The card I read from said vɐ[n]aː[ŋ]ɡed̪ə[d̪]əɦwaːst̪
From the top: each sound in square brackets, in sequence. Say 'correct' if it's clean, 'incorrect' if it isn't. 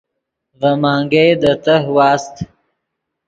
incorrect: m, correct, incorrect: t̪

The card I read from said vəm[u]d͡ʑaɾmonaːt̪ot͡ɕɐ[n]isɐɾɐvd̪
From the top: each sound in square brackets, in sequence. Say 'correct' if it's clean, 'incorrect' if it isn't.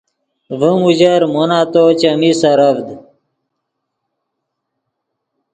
correct, incorrect: m

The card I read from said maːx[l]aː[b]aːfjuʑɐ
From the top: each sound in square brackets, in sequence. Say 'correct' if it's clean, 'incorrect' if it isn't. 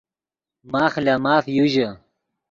correct, incorrect: m

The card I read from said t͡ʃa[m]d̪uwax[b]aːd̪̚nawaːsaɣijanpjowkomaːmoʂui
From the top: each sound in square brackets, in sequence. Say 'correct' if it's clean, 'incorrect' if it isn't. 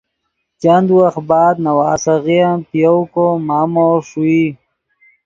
incorrect: n, correct

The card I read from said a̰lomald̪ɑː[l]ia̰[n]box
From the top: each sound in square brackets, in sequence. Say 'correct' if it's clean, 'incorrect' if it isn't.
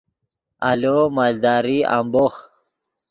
incorrect: ɾ, incorrect: m

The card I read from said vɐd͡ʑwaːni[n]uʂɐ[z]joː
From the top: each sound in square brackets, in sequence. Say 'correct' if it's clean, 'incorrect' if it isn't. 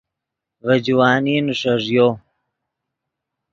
correct, incorrect: ʐ

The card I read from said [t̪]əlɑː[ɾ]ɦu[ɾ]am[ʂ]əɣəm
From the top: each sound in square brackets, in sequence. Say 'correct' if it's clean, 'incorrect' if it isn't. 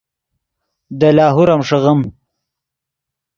incorrect: d̪, incorrect: none, correct, correct

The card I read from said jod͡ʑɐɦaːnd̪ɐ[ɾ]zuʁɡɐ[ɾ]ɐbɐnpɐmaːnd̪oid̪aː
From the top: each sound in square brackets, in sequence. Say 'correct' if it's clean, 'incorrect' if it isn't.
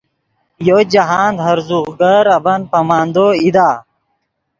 correct, correct

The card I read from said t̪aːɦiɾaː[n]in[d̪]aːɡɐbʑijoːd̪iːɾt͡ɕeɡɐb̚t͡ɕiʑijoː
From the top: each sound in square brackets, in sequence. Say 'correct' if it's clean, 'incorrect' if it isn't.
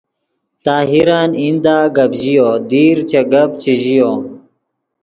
correct, correct

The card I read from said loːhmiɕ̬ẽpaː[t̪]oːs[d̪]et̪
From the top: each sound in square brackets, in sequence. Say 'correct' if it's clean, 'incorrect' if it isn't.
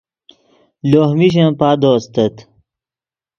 incorrect: d̪, incorrect: t̪

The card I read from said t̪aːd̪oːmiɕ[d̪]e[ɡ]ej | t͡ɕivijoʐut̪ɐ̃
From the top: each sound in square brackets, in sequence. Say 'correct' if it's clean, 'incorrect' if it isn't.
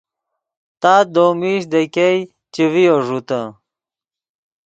correct, incorrect: k

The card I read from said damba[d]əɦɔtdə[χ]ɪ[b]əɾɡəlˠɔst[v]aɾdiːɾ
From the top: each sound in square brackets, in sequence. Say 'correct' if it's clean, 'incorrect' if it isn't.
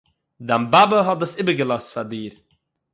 incorrect: b, incorrect: s, correct, incorrect: f

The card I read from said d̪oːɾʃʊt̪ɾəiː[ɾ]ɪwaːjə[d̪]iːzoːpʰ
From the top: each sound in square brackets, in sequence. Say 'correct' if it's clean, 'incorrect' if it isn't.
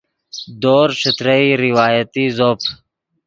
correct, incorrect: t̪

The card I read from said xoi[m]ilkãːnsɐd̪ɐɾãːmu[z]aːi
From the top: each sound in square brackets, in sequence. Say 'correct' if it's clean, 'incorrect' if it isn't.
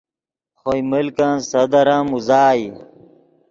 correct, correct

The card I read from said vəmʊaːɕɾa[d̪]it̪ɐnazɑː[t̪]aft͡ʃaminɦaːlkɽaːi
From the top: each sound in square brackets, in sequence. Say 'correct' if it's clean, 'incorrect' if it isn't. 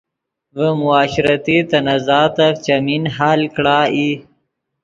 incorrect: t̪, correct

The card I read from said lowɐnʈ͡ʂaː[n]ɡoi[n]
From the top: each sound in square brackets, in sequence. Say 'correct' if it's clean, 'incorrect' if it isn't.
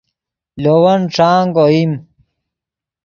incorrect: ŋ, incorrect: m

